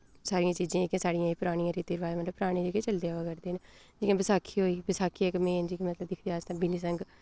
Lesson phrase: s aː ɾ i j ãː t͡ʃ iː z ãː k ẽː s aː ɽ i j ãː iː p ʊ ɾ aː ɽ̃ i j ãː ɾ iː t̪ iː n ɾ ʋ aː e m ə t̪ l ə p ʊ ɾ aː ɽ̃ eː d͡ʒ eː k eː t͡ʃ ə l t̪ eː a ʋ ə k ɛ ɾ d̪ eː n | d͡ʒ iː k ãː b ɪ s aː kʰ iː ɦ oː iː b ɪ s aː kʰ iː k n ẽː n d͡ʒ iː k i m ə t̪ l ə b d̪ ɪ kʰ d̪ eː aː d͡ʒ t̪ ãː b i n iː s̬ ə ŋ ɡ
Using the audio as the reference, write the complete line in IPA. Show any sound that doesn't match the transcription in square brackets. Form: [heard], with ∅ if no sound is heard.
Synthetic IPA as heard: s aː ɾ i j ãː t͡ʃ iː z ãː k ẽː s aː ɽ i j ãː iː p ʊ ɾ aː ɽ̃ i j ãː ɾ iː t̪ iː [∅] ɾ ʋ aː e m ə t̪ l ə p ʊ ɾ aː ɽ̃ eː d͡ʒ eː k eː t͡ʃ ə l [d̪] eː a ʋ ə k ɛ ɾ d̪ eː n | d͡ʒ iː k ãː b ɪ s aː kʰ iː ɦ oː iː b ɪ s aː kʰ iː k [m] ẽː n d͡ʒ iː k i m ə t̪ l ə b d̪ ɪ kʰ d̪ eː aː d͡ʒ t̪ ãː b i n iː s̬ ə ŋ ɡ

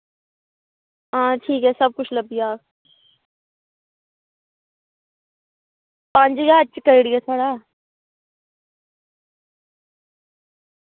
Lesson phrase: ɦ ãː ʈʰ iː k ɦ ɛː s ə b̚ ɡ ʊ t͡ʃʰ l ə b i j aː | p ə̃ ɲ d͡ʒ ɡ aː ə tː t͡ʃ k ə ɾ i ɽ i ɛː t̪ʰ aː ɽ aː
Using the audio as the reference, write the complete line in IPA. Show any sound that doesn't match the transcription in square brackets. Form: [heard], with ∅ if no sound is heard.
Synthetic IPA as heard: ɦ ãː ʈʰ iː k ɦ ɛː s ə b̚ [k] ʊ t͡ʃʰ l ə b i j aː | p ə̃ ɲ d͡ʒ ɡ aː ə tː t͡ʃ k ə ɾ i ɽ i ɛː t̪ʰ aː ɽ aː

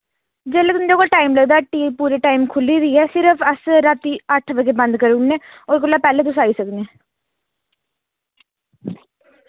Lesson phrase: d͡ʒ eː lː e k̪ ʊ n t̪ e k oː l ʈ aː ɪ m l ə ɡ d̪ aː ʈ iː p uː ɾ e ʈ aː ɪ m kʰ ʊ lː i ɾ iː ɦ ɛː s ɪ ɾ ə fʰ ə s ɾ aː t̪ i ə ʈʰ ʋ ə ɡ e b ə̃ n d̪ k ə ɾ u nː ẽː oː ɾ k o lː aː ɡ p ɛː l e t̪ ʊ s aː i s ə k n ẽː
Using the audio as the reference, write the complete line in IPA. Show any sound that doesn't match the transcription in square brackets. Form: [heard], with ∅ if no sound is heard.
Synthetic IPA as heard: d͡ʒ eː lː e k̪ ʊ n [d̪] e k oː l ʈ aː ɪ m l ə ɡ d̪ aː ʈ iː p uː ɾ e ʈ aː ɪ m kʰ ʊ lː i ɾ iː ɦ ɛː s ɪ ɾ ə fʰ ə s ɾ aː t̪ i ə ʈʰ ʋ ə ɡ e b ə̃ n d̪ k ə ɾ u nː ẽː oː ɾ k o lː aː [∅] p ɛː l e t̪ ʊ s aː i s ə k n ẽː

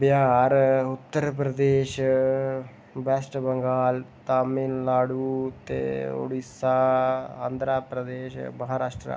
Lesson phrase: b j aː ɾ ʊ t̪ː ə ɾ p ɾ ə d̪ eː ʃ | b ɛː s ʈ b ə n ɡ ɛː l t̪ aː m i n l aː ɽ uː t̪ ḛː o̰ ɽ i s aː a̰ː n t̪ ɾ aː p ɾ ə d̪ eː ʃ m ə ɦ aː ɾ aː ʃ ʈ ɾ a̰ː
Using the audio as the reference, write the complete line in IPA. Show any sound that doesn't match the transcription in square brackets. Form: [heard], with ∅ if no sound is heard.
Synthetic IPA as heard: b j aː ɾ ʊ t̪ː ə ɾ p ɾ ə d̪ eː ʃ | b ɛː s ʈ b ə [ŋ] ɡ [aː] l t̪ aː m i n l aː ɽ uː t̪ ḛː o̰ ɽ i s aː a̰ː n [d̪] ɾ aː p ɾ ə d̪ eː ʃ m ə ɦ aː ɾ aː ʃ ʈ ɾ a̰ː

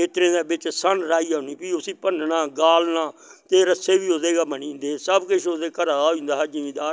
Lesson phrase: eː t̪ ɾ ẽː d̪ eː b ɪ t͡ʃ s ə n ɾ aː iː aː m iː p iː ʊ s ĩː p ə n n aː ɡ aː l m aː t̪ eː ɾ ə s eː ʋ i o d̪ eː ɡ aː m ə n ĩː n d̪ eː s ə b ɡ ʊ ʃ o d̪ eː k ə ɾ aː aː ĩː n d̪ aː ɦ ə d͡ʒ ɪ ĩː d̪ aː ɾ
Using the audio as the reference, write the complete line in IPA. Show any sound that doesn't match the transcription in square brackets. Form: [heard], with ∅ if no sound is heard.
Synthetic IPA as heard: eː t̪ ɾ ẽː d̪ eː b ɪ t͡ʃ s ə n ɾ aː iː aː [n] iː p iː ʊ s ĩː p ə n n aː ɡ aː l [n] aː t̪ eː ɾ ə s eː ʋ [iː] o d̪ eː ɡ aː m ə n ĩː n d̪ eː s ə b [k] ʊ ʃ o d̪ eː k ə ɾ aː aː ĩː n d̪ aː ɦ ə d͡ʒ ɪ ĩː d̪ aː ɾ

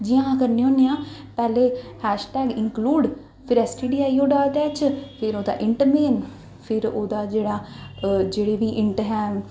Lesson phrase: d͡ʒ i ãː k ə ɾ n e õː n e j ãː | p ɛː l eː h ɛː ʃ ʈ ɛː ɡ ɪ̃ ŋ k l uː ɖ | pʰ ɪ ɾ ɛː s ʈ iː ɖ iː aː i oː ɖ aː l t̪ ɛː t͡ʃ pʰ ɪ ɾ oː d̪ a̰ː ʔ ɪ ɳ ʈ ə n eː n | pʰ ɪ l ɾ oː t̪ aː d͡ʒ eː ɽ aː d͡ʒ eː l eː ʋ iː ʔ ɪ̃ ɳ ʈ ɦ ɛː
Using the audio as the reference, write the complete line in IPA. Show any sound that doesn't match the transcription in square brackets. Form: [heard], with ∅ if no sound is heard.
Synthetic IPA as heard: d͡ʒ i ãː k ə ɾ n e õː n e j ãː | p ɛː l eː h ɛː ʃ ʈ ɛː ɡ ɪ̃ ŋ k l uː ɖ | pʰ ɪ ɾ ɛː s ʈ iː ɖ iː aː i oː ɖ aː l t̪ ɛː t͡ʃ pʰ ɪ ɾ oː d̪ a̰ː ʔ ɪ ɳ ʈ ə [m] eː n | pʰ ɪ [∅] ɾ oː [d̪] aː d͡ʒ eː ɽ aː d͡ʒ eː [ɽ] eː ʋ iː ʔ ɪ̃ ɳ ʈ ɦ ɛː

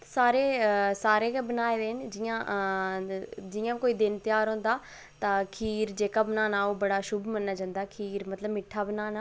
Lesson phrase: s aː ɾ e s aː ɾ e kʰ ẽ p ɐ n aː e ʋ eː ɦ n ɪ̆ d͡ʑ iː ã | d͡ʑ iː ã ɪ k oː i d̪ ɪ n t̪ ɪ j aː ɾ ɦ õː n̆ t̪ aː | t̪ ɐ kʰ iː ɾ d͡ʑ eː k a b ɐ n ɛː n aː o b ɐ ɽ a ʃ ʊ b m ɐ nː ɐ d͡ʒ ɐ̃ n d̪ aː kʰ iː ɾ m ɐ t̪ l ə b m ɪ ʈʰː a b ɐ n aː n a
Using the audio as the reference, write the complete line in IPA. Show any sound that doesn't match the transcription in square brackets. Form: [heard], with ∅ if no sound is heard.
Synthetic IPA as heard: s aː ɾ e s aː ɾ e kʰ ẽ [b] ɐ n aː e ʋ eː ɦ n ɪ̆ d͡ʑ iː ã | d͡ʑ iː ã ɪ k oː i d̪ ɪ n t̪ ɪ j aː ɾ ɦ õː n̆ [d̪] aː | t̪ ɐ kʰ iː ɾ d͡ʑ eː k a b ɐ n [aː] n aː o b ɐ ɽ a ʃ ʊ b m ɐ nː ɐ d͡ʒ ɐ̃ n d̪ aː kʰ iː ɾ m ɐ t̪ l ə b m ɪ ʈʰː a b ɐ n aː n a

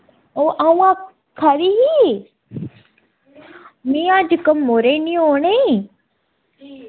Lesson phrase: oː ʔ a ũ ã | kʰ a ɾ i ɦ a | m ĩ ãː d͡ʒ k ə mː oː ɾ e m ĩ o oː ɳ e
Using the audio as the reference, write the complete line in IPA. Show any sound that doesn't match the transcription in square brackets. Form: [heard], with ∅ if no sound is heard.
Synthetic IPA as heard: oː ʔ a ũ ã | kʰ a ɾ i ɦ [i] | m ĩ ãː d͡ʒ k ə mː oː ɾ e [n] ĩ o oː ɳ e

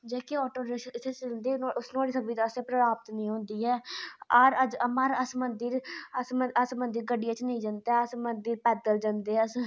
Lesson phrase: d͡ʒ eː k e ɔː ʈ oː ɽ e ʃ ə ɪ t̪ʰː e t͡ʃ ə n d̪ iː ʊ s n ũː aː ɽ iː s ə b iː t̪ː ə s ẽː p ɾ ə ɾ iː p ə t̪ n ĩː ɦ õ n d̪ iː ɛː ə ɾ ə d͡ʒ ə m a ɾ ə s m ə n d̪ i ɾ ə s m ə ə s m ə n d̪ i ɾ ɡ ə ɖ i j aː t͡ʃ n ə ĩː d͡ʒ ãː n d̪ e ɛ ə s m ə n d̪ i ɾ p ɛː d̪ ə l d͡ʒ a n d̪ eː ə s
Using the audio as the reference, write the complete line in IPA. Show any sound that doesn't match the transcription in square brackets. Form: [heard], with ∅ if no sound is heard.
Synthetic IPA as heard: d͡ʒ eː k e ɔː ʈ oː [ɾ] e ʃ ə ɪ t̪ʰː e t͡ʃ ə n d̪ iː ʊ s n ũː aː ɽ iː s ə b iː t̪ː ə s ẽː p ɾ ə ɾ [aː] p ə t̪ n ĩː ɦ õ n d̪ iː ɛː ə ɾ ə d͡ʒ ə m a ɾ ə s m ə n d̪ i ɾ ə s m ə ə s m ə n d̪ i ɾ ɡ ə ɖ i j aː t͡ʃ n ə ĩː d͡ʒ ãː n d̪ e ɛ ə s m ə n d̪ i ɾ p ɛː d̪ ə l d͡ʒ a n d̪ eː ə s

